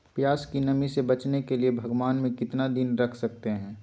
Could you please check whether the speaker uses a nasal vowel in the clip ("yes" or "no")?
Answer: yes